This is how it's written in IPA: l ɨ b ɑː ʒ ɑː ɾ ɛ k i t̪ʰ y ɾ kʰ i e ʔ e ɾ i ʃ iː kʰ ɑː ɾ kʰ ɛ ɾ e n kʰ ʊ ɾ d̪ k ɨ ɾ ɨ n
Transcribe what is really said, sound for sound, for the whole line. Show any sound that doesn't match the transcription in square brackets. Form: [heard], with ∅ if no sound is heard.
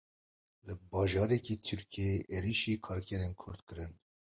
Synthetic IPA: l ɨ b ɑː ʒ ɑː ɾ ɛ k i t̪ʰ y ɾ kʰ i e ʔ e ɾ i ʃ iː kʰ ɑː ɾ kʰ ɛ ɾ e n kʰ ʊ ɾ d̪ k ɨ ɾ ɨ n